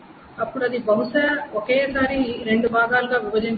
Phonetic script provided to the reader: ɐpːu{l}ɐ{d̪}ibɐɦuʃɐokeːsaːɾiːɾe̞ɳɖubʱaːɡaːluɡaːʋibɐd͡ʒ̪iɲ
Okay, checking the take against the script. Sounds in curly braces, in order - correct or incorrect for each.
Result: incorrect: ɽ, correct

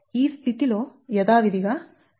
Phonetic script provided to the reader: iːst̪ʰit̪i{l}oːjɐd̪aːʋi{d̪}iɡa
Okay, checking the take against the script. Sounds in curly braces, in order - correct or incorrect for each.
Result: correct, correct

